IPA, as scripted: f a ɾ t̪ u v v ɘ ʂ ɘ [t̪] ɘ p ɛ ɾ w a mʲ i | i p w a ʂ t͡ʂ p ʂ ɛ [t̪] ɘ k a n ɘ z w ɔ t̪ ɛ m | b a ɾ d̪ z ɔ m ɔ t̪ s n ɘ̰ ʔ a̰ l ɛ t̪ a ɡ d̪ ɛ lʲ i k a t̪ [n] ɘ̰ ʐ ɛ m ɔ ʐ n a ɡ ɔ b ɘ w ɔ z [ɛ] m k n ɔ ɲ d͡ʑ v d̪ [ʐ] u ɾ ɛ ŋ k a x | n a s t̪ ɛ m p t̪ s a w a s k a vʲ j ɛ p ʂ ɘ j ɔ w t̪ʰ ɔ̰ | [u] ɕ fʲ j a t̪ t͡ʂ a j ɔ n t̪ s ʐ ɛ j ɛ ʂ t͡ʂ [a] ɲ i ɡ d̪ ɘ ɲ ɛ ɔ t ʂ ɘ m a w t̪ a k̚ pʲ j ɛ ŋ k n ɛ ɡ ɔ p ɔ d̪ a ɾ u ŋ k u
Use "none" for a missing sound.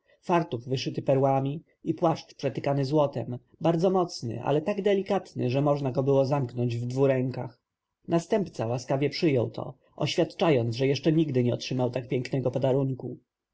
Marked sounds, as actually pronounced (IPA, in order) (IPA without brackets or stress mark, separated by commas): t̪, t̪, n, a, v, ɔ, ɛ